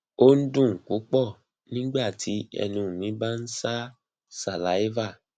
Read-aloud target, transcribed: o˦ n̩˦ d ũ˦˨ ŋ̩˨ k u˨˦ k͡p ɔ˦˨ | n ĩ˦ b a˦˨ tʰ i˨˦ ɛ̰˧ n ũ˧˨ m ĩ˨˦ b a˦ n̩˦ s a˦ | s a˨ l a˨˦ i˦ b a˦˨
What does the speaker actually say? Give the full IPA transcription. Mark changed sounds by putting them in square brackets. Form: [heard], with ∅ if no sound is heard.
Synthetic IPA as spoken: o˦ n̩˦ d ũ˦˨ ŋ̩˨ k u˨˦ k͡p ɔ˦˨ | n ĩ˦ [ɡ͡b] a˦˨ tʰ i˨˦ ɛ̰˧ n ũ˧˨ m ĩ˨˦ b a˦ n̩˦ s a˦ | s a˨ l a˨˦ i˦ [v] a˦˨